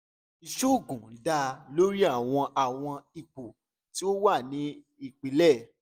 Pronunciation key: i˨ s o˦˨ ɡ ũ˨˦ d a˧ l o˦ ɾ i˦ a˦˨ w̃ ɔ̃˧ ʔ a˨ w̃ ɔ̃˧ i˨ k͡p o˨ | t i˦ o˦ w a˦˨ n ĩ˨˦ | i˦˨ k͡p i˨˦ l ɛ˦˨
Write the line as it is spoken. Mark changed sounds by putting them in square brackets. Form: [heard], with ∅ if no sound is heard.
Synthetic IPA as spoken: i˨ [ʃ] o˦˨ ɡ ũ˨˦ d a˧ l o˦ ɾ i˦ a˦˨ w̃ ɔ̃˧ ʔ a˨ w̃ ɔ̃˧ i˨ k͡p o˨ | t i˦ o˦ w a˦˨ n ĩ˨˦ | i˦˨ k͡p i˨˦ l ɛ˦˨